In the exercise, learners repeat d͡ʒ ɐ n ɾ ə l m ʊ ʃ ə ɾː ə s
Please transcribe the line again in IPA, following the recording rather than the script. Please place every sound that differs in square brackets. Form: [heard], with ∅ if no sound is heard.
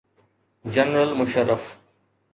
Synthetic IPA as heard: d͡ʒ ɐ n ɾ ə l m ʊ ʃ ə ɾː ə [f]